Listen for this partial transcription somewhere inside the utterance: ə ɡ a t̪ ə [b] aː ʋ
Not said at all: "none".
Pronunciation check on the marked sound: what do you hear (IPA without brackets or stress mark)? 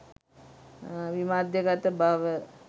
b